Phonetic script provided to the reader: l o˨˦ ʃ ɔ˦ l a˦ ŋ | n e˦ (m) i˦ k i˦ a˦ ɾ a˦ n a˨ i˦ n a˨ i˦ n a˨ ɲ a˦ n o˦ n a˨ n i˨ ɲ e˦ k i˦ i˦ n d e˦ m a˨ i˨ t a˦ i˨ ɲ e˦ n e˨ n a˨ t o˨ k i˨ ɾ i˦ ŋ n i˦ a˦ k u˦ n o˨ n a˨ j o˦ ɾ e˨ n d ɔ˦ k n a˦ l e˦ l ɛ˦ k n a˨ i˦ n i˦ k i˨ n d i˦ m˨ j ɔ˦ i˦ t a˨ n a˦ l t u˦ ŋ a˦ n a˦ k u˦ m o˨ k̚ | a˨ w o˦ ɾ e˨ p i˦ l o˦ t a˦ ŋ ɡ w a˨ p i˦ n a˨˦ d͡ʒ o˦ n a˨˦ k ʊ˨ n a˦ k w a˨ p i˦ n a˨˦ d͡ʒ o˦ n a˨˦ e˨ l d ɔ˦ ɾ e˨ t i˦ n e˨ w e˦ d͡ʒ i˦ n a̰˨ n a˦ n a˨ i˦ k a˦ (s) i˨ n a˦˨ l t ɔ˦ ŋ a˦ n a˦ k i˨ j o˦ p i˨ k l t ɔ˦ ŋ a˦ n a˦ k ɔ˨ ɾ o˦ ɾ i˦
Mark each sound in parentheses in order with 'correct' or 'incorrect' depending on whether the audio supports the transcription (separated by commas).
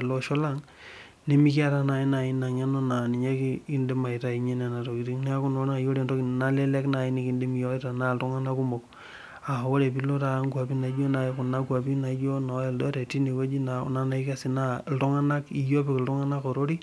correct, correct